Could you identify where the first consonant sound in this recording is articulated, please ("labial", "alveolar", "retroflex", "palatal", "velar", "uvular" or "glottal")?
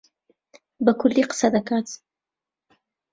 labial